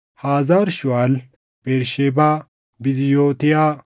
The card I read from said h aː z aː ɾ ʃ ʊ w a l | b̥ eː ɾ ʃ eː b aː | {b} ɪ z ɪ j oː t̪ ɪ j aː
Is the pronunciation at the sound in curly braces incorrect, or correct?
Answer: correct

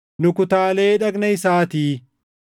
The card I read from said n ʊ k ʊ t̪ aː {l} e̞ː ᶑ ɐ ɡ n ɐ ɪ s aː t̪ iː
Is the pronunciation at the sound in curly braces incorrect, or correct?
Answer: correct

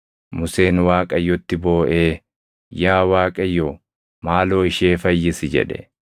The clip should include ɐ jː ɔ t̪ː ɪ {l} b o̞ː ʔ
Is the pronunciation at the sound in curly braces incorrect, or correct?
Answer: incorrect: none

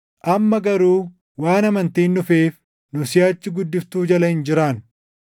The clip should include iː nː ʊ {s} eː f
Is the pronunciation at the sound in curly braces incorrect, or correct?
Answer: incorrect: f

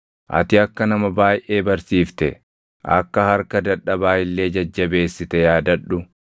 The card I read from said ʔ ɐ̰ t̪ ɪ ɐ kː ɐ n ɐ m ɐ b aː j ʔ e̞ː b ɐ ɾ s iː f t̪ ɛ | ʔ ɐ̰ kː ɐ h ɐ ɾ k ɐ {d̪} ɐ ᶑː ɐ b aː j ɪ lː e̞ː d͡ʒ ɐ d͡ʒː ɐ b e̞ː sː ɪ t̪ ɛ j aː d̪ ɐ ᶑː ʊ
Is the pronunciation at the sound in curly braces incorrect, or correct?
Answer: correct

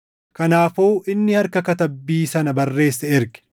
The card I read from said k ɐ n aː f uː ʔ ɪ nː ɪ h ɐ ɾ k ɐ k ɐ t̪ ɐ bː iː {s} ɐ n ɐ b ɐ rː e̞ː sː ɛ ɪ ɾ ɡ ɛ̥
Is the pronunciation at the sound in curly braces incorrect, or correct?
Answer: correct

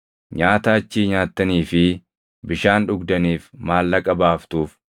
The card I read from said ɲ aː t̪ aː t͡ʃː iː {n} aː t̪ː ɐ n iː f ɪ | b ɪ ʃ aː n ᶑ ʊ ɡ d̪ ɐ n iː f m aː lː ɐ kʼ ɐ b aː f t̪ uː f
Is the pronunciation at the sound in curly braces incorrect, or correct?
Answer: incorrect: ɲ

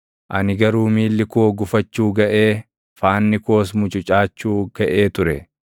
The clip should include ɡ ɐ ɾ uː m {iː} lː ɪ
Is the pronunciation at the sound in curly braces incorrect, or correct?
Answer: correct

